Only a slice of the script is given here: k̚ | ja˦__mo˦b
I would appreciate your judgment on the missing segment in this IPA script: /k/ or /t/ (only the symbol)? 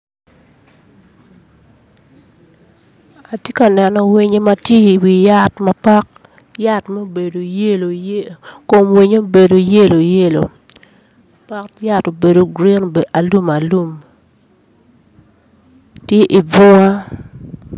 t